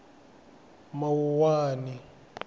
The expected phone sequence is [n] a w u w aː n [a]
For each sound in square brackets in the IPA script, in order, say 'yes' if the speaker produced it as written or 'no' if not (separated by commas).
no, no